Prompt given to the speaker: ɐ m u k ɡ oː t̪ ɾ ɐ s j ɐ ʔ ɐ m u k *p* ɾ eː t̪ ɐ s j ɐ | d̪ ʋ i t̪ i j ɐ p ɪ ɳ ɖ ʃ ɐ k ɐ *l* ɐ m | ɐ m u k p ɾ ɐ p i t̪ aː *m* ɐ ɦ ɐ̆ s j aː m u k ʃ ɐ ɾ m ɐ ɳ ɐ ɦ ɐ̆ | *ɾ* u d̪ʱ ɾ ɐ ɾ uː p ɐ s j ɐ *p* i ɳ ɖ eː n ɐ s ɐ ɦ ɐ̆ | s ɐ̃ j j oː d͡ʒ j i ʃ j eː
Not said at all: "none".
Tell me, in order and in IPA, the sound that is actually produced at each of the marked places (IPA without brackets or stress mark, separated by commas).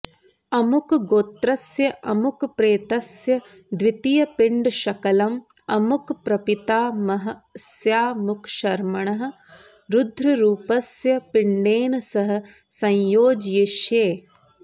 p, l, m, ɾ, p